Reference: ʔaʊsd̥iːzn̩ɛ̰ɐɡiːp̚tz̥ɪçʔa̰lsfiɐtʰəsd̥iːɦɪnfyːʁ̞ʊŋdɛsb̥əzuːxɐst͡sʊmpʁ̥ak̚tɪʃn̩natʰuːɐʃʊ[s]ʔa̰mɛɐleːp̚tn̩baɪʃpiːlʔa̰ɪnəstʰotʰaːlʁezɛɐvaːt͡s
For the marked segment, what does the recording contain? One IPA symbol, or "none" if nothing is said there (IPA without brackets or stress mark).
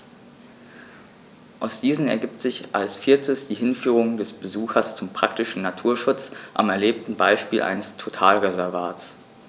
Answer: t͡s